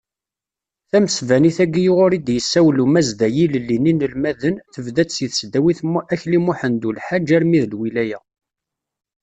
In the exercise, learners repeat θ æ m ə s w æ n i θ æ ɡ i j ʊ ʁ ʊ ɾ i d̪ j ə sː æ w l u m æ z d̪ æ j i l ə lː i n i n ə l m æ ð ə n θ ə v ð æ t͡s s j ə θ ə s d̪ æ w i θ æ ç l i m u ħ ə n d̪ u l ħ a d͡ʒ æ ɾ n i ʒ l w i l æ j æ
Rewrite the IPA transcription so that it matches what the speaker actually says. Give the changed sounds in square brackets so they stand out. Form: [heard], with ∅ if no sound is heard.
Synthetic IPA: θ æ m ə s [v] æ n i θ æ ɡ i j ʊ ʁ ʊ ɾ i d̪ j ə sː æ w l u m æ z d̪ æ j i l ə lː i n i n ə l m æ ð ə n θ ə v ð æ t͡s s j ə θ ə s d̪ æ w i θ æ ç l i m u ħ ə n d̪ u l ħ a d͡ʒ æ ɾ [m] i [ð] l w i l æ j æ